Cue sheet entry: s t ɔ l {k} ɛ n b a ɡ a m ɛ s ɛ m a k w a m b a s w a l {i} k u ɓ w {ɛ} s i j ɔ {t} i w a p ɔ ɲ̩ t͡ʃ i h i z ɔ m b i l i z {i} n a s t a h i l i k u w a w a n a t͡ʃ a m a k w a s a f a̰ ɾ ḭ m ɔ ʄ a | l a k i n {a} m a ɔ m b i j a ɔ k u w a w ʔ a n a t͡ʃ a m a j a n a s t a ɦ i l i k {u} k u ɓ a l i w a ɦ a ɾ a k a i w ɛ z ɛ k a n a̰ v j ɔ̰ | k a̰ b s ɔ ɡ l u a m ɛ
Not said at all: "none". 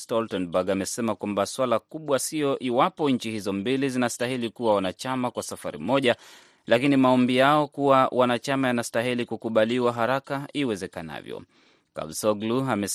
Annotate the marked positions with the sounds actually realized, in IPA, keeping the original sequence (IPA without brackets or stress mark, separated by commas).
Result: t, a, a, ʔ, i, i, u